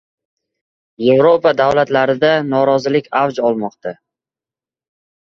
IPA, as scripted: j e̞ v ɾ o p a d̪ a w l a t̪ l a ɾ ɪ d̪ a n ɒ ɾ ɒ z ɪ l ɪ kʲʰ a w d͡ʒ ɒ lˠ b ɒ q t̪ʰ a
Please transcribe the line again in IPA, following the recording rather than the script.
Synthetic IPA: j e̞ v ɾ o p a d̪ a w l a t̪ l a ɾ ɪ d̪ a n ɒ ɾ ɒ z ɪ l ɪ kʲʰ a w d͡ʒ ɒ lˠ m ɒ q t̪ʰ a

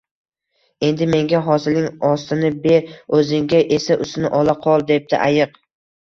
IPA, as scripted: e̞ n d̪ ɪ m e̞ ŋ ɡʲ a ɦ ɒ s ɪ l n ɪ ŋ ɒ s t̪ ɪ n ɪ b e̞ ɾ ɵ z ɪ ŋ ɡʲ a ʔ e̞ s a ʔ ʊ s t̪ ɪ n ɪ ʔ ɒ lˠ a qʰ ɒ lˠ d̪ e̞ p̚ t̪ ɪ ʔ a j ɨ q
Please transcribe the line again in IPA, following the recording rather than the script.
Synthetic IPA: e̞ n d̪ ɪ m e̞ ŋ ɡʲ a ɦ ɒ s ɪ l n ɪ ŋ ɒ s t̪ ɪ n ɪ b e̞ ɾ ɵ z ɪ ŋ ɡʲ a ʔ e̞ s a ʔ ʊ s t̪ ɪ n ɪ ʔ ɒ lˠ a qʰ ɒ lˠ d̪ e̞ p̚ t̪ ɪ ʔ a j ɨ q

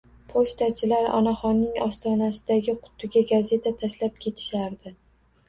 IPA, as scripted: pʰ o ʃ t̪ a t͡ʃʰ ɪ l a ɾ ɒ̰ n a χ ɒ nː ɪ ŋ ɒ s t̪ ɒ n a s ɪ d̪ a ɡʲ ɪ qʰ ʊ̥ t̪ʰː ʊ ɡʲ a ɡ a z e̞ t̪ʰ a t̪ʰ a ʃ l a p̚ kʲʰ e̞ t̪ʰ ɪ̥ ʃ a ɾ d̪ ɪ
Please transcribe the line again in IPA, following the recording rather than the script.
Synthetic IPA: pʰ o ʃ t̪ a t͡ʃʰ ɪ l a ɾ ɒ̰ n a χ ɒ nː ɪ ŋ ɒ s t̪ ɒ n a s ɪ d̪ a ɡʲ ɪ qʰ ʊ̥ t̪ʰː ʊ ɡʲ a ɡ a z e̞ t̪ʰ a t̪ʰ a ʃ l a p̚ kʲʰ e̞ t̪ʰ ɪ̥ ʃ a ɾ d̪ ɪ

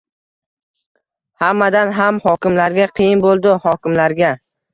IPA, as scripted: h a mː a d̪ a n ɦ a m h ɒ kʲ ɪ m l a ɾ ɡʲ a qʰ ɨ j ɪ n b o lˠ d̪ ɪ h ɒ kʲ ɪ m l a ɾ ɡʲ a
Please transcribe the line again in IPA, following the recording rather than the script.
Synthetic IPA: h a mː a d̪ a n ɦ a m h ɒ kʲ ɪ m l a ɾ ɡʲ a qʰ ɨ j ɪ n b o lˠ d̪ ɪ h ɒ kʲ ɪ m l a ɾ ɡʲ a

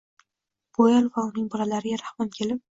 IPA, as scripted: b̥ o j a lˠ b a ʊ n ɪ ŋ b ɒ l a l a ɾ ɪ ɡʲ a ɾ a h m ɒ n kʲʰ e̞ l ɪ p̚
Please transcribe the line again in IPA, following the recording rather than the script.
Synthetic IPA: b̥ o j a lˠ v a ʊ n ɪ ŋ b ɒ l a l a ɾ ɪ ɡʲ a ɾ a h m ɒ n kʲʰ e̞ l ɪ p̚

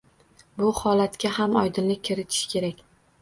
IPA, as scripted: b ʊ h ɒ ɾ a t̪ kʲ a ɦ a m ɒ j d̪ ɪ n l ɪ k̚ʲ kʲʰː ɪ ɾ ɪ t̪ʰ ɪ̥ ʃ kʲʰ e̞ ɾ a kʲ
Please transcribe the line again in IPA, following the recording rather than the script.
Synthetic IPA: b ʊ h ɒ l a t̪ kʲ a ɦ a m ɒ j d̪ ɪ n l ɪ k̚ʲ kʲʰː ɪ ɾ ɪ t̪ʰ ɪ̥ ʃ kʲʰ e̞ ɾ a kʲ

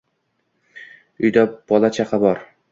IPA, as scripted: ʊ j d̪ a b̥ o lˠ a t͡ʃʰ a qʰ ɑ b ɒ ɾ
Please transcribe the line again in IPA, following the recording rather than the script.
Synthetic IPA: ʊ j d̪ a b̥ ɒ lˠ a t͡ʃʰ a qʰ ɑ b ɒ ɾ

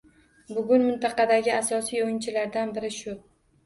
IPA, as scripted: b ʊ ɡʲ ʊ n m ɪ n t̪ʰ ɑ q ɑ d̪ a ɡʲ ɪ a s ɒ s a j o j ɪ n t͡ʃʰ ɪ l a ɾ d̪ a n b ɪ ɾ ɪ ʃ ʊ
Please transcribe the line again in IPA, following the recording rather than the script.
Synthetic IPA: b ʊ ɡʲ ʊ n m ɪ n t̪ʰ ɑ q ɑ d̪ a ɡʲ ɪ a s ɒ s i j o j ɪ n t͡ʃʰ ɪ l a ɾ d̪ a n b ɪ ɾ ɪ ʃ ʊ

